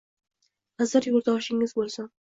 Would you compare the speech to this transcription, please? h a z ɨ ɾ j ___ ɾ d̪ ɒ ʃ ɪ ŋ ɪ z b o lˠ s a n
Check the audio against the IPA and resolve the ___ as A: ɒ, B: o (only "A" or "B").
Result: B